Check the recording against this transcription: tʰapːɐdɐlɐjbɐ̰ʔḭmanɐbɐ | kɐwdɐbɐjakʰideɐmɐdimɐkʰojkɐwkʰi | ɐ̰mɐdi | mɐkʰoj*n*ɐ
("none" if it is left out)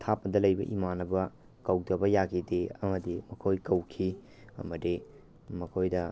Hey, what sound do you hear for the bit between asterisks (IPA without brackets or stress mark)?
d